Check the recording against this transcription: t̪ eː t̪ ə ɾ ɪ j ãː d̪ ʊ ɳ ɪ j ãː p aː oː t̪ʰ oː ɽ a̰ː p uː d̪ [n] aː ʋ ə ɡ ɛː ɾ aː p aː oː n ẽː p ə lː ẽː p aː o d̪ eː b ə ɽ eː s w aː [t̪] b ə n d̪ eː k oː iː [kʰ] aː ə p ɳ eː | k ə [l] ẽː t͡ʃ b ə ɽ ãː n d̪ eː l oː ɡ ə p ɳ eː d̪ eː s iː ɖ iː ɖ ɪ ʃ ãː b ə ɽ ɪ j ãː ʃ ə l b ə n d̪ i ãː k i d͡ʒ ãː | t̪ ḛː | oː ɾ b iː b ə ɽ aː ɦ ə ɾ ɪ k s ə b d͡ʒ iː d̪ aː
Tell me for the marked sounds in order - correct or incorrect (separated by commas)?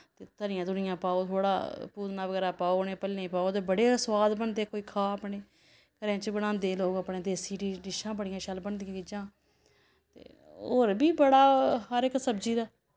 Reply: correct, incorrect, correct, incorrect